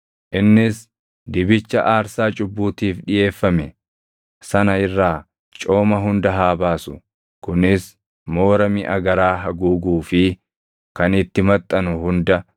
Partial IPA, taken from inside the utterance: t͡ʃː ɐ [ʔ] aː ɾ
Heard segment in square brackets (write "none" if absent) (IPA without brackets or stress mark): ʔ